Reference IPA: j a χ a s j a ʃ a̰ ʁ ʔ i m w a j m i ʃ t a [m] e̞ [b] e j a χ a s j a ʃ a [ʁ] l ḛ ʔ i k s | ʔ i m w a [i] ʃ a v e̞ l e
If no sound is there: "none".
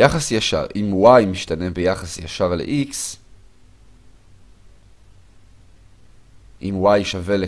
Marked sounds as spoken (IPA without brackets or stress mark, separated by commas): n, b, ʁ, j